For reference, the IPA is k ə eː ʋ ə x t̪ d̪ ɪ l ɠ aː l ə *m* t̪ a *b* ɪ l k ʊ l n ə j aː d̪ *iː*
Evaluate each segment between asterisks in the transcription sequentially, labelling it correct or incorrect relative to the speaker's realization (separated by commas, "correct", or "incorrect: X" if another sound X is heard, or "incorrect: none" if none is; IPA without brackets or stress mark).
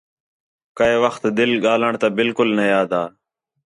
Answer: incorrect: ɳ, correct, incorrect: aː